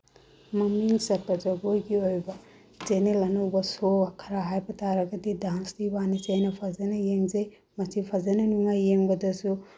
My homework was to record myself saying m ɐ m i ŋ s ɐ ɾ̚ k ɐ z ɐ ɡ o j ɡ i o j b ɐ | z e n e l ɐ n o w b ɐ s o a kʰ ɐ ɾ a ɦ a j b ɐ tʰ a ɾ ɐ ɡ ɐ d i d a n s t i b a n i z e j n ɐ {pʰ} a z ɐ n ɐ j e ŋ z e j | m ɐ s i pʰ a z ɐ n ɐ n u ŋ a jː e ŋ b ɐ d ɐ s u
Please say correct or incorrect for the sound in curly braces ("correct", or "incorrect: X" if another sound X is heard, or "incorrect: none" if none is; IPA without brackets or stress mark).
correct